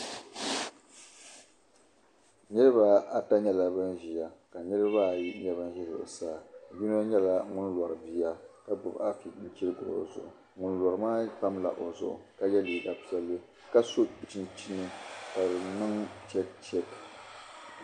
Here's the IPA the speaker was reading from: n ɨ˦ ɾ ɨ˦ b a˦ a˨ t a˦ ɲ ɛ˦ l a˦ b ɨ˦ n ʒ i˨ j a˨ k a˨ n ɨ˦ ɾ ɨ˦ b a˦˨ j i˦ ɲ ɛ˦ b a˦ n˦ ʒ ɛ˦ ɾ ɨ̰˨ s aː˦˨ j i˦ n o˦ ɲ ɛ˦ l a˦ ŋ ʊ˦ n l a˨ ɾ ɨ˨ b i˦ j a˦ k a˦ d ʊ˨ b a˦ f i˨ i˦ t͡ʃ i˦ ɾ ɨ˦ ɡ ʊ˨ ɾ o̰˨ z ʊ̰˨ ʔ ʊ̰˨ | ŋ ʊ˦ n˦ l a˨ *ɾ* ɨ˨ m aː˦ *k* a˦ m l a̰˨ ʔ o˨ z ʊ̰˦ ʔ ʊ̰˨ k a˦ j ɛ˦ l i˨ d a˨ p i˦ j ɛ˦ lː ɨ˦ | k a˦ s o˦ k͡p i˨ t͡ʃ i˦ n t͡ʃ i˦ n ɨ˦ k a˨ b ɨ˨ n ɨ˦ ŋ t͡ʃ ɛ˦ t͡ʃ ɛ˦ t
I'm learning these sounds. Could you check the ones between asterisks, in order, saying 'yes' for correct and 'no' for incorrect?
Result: yes, no

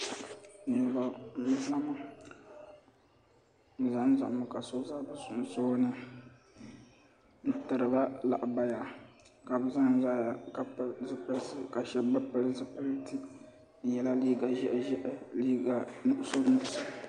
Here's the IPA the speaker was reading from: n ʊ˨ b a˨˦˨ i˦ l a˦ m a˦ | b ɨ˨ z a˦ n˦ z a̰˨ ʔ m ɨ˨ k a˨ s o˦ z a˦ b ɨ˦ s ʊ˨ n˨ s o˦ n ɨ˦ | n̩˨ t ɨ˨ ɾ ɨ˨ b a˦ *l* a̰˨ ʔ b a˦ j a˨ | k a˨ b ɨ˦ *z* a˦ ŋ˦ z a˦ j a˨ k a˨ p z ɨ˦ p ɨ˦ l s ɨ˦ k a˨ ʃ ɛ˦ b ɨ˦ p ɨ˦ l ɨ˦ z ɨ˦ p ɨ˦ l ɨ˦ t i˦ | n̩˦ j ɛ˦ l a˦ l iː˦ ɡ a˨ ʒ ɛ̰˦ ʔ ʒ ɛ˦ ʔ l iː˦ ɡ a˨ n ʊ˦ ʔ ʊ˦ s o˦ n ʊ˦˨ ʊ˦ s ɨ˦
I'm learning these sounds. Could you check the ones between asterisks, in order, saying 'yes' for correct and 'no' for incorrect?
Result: yes, yes

